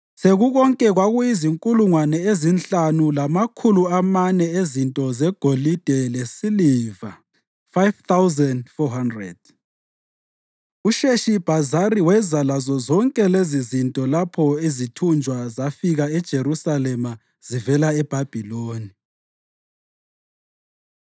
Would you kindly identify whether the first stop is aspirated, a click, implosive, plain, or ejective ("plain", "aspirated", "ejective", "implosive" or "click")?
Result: ejective